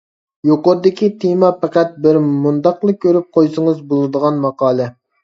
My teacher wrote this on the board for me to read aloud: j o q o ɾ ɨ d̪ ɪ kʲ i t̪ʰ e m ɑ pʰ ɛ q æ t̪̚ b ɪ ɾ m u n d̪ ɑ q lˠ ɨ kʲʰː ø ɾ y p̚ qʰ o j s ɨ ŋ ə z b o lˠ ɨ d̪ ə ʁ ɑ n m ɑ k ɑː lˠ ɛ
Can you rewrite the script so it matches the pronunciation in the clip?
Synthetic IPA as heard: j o q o ɾ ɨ d̪ ɪ kʲ i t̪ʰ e m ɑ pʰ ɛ q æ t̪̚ b ɪ ɾ m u n d̪ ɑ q lˠ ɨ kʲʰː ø ɾ y p̚ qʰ o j s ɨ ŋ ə z b o lˠ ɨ d̪ ə ʁ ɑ n m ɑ q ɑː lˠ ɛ